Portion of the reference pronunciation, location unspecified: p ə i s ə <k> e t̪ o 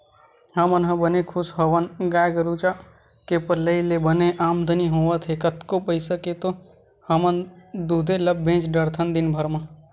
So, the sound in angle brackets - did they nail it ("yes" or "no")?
yes